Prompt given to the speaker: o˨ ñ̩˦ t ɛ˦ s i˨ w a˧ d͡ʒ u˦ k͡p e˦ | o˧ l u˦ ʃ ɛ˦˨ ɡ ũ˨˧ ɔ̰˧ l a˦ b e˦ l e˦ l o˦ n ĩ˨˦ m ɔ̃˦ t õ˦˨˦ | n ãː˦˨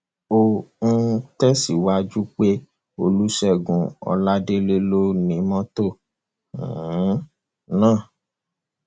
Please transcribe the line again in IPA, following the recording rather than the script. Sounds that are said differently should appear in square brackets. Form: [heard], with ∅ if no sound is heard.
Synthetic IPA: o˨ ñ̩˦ t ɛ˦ s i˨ w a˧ d͡ʒ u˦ k͡p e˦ | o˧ l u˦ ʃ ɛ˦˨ ɡ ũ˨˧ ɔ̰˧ l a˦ [d] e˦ l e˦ l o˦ n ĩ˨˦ m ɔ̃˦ t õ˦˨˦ | n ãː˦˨